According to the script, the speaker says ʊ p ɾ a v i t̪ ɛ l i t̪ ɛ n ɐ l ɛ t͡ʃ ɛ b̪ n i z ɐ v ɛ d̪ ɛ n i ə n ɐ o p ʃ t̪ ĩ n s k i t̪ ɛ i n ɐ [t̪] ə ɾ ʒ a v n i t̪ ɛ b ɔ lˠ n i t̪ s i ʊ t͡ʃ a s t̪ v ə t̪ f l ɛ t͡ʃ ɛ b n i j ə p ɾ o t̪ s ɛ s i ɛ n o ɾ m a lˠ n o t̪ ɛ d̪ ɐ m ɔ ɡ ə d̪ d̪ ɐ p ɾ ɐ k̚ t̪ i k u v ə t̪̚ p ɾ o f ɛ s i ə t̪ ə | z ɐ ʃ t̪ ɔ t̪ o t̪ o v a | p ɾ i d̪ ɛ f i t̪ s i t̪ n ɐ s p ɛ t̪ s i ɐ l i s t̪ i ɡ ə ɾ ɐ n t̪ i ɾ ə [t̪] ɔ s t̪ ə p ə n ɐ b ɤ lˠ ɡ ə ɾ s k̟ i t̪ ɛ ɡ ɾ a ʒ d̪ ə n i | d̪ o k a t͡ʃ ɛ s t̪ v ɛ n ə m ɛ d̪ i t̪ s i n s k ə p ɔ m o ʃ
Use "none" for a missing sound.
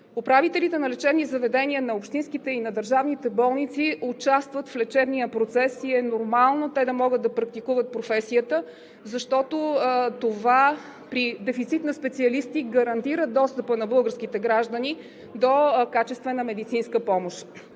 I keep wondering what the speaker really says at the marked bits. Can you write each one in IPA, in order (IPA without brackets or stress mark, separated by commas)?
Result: d̪, d̪